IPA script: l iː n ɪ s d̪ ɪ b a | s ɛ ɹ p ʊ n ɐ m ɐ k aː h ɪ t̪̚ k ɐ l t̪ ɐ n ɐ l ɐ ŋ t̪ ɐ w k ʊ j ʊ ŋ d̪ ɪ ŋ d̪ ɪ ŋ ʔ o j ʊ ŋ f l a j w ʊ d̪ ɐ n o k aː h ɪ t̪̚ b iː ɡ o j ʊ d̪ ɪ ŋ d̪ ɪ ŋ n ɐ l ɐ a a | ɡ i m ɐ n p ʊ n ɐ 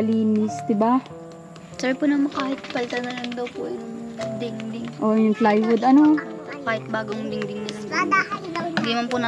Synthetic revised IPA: l iː n ɪ s d̪ ɪ b a | s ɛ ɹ p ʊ n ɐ m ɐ k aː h ɪ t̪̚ p ɐ l t̪ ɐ n ɐ l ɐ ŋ d̪ ɐ w p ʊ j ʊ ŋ d̪ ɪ ŋ d̪ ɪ ŋ ʔ o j ʊ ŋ f l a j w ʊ d̪ ɐ n o k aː h ɪ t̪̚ b aː ɡ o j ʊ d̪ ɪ ŋ d̪ ɪ ŋ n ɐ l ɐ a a | ɡ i m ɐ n p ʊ n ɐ

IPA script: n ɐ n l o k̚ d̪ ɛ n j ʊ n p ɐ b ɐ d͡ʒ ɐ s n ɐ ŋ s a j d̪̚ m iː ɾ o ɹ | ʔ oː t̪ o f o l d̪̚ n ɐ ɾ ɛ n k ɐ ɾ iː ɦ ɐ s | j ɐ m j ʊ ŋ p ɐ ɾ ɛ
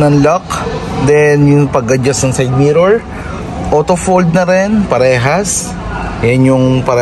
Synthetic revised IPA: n ɐ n l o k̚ d̪ ɛ n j ʊ ŋ p ɐ ɡ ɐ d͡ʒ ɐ s n ɐ ŋ s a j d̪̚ m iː ɾ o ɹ | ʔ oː t̪ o f o l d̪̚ n ɐ ɾ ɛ n p ɐ ɾ ɛː ɦ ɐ s | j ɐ n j ʊ ŋ p ɐ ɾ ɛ

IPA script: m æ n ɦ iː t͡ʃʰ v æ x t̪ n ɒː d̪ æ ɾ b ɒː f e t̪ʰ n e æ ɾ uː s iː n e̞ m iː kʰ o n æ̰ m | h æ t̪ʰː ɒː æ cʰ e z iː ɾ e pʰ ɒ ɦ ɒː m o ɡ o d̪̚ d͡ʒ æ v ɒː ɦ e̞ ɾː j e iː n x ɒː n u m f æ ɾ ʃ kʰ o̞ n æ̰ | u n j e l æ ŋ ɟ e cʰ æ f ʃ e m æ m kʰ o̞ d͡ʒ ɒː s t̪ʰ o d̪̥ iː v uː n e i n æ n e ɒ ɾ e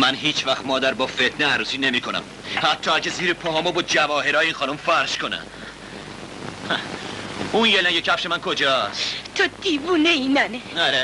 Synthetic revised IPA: m æ n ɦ iː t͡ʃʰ v æ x t̪ m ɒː d̪ æ ɾ b ɒː f e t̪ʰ n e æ ɾ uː s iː n e̞ m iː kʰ o n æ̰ m | h æ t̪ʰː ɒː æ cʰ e z iː ɾ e pʰ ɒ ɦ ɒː m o b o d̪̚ d͡ʒ æ v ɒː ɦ e̞ ɾː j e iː n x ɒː n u m f æ ɾ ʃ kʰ o̞ n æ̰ | u n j e l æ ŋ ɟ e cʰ æ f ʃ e m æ n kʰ o̞ d͡ʒ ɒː s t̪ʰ o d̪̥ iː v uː n e i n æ n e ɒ ɾ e

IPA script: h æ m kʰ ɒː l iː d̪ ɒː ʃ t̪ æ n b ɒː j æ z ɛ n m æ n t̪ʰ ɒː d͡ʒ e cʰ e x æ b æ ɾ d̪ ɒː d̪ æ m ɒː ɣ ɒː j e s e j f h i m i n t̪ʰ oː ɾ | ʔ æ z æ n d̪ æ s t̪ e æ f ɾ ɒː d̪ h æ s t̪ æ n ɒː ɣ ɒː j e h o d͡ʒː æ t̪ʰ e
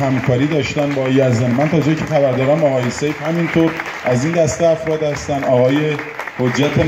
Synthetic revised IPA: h æ m kʰ ɒː ɾ iː d̪ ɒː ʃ t̪ æ n b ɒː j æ z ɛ n m æ n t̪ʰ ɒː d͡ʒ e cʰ e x æ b æ ɾ d̪ ɒː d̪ æ m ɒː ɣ ɒː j e s e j f h æ m i n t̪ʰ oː ɾ | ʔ æ z i n d̪ æ s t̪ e æ f ɾ ɒː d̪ h æ s t̪ æ n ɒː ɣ ɒː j e h o d͡ʒː æ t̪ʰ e

